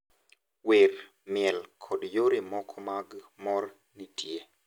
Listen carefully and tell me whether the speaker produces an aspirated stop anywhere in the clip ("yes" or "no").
yes